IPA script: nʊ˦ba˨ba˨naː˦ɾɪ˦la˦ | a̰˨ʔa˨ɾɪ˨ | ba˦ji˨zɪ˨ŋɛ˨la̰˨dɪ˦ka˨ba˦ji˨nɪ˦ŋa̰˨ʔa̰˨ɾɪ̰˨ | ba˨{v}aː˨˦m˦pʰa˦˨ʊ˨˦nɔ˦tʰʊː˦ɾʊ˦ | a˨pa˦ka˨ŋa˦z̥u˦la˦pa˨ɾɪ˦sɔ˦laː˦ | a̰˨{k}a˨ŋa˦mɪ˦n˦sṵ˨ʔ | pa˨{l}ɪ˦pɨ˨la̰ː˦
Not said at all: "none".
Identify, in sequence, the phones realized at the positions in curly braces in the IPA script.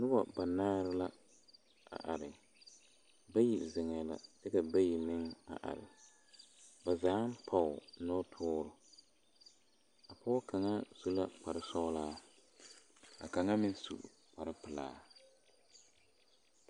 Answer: z, k, ɾ

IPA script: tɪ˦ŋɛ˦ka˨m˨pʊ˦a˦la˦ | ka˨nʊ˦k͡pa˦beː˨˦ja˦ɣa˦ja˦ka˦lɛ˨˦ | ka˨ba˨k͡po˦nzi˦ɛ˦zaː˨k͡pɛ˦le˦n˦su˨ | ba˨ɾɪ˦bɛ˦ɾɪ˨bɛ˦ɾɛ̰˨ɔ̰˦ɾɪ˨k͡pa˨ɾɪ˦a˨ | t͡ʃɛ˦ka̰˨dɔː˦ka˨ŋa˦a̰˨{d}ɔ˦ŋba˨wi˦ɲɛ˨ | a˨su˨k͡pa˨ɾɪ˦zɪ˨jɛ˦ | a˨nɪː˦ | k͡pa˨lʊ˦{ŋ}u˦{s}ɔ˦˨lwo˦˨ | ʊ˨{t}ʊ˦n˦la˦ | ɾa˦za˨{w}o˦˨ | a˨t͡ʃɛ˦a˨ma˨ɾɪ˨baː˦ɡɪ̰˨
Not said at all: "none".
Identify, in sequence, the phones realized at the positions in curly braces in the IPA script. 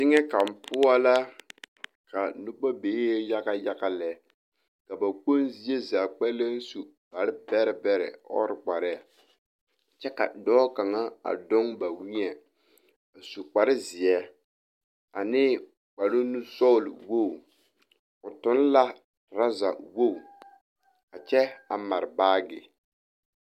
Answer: d, n, s, t, w

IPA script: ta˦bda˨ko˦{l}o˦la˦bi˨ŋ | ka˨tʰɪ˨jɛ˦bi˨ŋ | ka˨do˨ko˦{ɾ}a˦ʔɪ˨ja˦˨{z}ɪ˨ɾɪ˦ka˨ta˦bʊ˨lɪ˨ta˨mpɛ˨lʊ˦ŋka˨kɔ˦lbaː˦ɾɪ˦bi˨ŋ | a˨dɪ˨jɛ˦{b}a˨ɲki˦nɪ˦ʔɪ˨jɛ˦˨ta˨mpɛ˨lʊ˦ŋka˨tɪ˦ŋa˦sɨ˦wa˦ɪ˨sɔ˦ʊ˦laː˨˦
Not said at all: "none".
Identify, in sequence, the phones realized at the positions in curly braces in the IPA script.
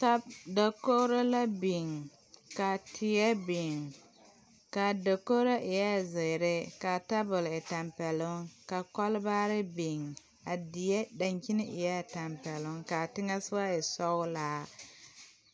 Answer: ɾ, ɾ, z, d

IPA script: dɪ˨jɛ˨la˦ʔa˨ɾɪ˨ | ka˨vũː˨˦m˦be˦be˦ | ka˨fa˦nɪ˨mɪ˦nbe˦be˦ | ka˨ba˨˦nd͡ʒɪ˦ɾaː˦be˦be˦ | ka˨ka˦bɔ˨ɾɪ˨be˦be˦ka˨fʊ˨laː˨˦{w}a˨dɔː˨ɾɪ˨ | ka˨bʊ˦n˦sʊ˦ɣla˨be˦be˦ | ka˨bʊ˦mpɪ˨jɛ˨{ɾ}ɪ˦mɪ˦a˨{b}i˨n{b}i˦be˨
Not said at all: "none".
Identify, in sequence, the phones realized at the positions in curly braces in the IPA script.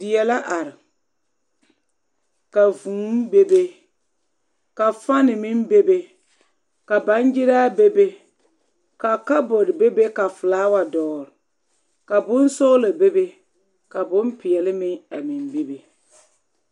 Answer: w, l, m, b

